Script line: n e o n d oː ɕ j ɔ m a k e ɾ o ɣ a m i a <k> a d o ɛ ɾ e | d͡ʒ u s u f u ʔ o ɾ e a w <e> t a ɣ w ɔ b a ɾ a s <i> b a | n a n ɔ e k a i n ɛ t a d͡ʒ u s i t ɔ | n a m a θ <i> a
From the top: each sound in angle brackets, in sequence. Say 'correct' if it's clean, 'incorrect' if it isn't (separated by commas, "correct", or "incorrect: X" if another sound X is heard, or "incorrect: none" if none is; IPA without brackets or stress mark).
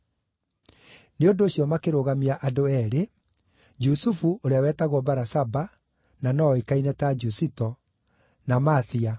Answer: incorrect: ʔ, incorrect: ɛ, incorrect: a, correct